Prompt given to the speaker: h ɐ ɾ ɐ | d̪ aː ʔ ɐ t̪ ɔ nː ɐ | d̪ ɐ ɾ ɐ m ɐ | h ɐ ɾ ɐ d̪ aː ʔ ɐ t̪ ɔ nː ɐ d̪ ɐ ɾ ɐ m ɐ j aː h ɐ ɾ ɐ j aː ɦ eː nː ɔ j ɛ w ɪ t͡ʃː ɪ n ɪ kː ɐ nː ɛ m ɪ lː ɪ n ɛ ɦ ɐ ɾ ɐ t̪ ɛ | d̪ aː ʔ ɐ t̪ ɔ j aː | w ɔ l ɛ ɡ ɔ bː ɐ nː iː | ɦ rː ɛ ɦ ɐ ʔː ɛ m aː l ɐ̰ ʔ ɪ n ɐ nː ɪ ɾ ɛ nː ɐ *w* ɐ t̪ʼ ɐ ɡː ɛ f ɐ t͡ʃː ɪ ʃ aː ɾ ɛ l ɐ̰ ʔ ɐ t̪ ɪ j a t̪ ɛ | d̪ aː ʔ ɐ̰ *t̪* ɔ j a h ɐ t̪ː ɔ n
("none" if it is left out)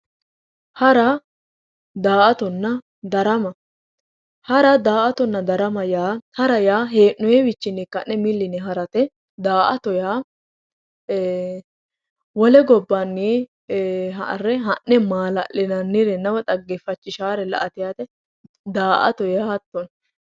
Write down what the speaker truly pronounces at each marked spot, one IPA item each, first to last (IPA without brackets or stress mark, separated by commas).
w, t̪